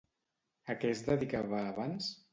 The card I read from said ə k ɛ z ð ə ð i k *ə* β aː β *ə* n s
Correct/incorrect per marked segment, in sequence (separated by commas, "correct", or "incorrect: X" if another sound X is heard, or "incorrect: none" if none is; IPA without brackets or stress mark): incorrect: a, incorrect: a